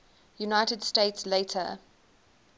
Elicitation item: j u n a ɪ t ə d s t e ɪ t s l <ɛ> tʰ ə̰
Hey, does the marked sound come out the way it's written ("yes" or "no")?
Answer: no